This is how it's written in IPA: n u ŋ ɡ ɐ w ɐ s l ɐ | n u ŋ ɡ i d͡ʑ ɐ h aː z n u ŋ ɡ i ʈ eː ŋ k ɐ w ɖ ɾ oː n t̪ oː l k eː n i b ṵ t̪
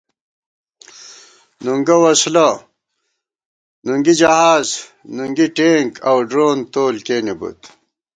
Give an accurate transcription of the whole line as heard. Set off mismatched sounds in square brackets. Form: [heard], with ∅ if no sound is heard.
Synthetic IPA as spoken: n u ŋ ɡ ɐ w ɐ s l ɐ | n u ŋ ɡ i d͡ʑ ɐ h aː z n u ŋ ɡ i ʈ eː ŋ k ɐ w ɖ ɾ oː n t̪ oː l k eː n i b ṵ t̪

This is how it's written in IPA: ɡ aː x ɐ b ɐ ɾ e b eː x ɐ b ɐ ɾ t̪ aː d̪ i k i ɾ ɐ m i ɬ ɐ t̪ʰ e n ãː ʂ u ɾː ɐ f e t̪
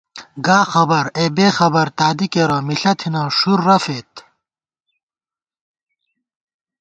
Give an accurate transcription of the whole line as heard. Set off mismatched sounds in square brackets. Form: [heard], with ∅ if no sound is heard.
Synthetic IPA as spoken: ɡ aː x ɐ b ɐ ɾ e b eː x ɐ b ɐ ɾ t̪ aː d̪ i k [e] ɾ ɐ m i ɬ ɐ t̪ʰ [i] n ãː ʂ u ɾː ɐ f e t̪

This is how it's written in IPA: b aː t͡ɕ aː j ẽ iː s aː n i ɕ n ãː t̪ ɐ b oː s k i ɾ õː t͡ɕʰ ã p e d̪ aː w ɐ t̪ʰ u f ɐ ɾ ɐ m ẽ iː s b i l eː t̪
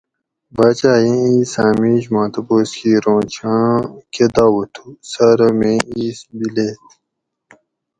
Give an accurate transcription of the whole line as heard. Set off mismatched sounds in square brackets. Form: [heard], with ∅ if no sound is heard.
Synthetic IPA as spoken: b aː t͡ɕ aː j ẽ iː s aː [m] i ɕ [m] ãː t̪ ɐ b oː s k i ɾ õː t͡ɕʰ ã [k] e d̪ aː w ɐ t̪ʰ u [s] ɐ ɾ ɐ m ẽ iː s b i l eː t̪

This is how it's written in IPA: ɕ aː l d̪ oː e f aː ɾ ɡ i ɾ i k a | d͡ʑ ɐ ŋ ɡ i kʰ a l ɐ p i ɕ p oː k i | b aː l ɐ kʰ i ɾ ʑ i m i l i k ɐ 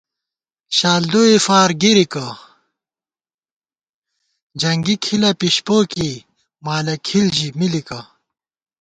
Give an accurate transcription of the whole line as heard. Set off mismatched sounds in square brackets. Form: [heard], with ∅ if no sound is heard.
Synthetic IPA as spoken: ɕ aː l d̪ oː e f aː ɾ ɡ i ɾ i k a | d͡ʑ ɐ ŋ ɡ i kʰ [i] l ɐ p i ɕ p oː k i | [m] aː l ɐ kʰ i [l] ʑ i m i l i k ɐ

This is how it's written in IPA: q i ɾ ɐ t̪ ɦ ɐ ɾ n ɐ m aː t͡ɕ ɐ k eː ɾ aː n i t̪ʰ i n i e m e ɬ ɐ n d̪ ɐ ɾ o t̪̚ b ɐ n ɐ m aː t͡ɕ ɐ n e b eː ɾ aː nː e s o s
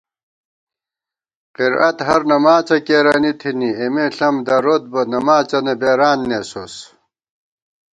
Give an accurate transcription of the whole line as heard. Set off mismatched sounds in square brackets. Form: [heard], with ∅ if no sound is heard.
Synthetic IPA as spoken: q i ɾ ɐ t̪ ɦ ɐ ɾ n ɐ m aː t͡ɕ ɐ k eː ɾ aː n i t̪ʰ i n i e m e ɬ ɐ [m] d̪ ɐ ɾ o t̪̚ b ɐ n ɐ m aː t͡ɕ ɐ n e b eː ɾ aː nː e s o s

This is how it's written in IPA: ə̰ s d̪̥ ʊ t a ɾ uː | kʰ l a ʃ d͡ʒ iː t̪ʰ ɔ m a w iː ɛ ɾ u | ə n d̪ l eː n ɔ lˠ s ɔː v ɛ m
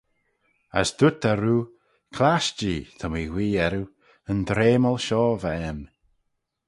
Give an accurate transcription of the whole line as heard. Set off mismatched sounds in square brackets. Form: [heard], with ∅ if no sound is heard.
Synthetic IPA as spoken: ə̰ s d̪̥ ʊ t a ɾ uː | kʰ l a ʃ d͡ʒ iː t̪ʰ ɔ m [i] w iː ɛ ɾ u | ə n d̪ [ɾ] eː [m] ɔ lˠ [ʃ] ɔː v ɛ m

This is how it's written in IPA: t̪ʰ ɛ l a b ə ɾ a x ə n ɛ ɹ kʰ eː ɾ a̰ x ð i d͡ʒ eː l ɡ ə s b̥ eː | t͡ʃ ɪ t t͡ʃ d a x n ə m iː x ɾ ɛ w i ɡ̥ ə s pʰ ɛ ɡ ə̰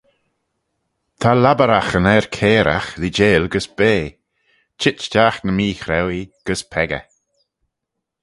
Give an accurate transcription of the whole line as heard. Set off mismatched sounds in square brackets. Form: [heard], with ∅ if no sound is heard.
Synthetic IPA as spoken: t̪ʰ [a] l a b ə ɾ a x ə n ɛ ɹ kʰ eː ɾ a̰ x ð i d͡ʒ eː l ɡ ə s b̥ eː | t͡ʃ ɪ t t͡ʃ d a x n ə m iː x ɾ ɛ w i ɡ̥ ə s pʰ ɛ ɡ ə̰

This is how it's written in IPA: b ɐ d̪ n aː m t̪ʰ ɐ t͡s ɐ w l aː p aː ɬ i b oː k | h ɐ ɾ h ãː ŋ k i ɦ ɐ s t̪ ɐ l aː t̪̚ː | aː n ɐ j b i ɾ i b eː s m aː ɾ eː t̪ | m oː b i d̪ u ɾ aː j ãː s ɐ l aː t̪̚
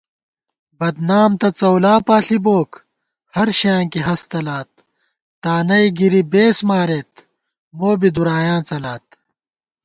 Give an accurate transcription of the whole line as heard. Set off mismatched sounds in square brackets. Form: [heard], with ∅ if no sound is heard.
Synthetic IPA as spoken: b ɐ d̪ n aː m [t̪] ɐ t͡s ɐ w l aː p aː ɬ i b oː k | h ɐ ɾ [ɕ] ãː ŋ k i ɦ ɐ s t̪ ɐ l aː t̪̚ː | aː n ɐ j [ɡ] i ɾ i b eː s m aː ɾ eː t̪ | m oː b i d̪ u ɾ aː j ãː [t͡s] ɐ l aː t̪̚

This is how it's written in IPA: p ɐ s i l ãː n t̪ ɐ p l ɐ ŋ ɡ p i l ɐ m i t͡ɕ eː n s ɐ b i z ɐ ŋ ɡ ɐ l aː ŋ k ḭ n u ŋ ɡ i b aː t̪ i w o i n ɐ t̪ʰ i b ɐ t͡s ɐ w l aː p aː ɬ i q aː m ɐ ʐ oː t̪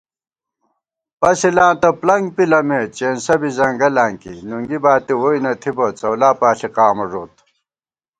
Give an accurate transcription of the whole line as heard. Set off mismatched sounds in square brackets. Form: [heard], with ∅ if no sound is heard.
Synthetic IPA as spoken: p ɐ s i l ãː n t̪ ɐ p l ɐ ŋ ɡ p i l ɐ m [e] t͡ɕ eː n s ɐ b i z ɐ ŋ ɡ ɐ l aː ŋ k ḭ n u ŋ ɡ i b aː t̪ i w o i n ɐ t̪ʰ i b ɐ t͡s ɐ w l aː p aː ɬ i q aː m ɐ ʐ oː t̪

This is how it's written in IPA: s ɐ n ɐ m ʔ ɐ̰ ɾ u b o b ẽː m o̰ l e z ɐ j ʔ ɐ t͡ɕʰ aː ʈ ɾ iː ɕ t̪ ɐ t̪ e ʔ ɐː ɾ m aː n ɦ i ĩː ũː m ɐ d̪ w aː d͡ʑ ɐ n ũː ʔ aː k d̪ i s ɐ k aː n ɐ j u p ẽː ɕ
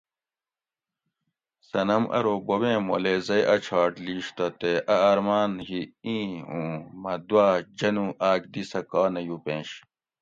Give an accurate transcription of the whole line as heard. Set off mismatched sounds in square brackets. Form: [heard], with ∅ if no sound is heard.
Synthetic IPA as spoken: s ɐ n ɐ m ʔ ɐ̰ ɾ [o] b o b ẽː m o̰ l e z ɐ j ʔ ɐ t͡ɕʰ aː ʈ [l] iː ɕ t̪ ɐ t̪ e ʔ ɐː ɾ m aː n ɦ i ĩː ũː m ɐ d̪ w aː d͡ʑ ɐ n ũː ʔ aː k d̪ i s ɐ k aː n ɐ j u p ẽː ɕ

